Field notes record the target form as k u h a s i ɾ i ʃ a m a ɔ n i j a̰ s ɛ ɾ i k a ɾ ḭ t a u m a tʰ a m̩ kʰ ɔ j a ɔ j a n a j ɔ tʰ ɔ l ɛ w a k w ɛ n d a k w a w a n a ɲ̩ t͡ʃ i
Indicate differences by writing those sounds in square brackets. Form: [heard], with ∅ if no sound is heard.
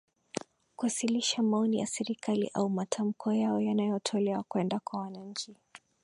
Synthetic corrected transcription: k u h a s i [l] i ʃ a m a ɔ n i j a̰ s ɛ ɾ i k a [l] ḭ [ʔ] a u m a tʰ a m̩ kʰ ɔ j a ɔ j a n a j ɔ tʰ ɔ l ɛ w a k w ɛ n d a k w a w a n a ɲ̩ t͡ʃ i

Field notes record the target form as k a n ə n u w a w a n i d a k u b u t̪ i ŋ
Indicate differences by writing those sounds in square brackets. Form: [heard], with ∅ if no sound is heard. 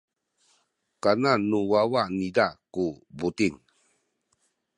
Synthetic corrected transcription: k a n [a] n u w a w a n i d a k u b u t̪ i ŋ

